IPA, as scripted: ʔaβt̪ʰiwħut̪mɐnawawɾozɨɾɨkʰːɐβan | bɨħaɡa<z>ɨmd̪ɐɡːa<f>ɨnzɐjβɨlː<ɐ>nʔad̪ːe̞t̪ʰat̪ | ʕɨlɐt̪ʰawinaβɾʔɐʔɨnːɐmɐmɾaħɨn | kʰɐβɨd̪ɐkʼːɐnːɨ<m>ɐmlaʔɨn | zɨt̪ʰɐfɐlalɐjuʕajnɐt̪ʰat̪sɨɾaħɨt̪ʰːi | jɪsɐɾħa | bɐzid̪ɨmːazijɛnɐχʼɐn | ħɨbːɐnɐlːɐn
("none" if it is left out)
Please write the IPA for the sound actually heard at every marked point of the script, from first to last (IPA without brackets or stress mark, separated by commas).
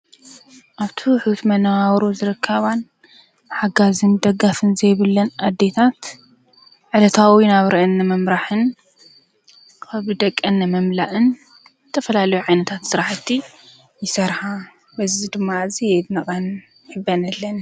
z, f, ɐ, m